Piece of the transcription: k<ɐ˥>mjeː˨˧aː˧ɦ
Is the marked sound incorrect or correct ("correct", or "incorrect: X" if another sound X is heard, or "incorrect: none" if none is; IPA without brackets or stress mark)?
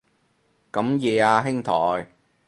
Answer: incorrect: ɐ˨˥